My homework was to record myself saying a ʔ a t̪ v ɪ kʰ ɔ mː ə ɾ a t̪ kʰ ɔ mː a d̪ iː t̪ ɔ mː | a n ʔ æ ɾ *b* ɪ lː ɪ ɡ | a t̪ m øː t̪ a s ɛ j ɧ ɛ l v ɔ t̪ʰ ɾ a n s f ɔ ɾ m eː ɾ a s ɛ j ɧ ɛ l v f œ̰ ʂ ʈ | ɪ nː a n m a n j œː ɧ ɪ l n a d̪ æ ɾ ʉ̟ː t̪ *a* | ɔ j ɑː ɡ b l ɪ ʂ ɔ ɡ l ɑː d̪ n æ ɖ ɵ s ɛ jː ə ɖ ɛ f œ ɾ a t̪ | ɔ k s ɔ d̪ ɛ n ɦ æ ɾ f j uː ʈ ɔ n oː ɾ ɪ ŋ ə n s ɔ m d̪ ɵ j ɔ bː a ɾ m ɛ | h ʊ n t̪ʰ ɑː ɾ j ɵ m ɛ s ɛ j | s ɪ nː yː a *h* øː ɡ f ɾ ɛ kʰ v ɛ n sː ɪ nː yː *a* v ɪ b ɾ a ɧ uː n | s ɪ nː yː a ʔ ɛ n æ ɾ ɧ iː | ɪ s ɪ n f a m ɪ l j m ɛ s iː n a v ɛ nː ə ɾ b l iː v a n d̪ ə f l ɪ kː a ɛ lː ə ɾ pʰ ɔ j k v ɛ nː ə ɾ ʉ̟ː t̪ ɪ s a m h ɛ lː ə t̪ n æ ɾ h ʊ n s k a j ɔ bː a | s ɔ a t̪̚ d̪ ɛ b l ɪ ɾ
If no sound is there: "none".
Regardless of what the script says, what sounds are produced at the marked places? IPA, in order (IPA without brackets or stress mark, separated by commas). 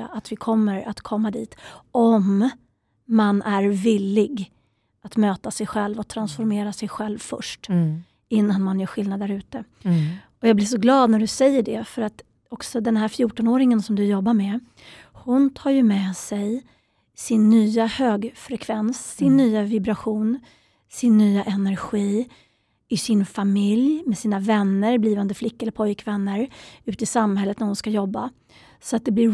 v, ə, h, a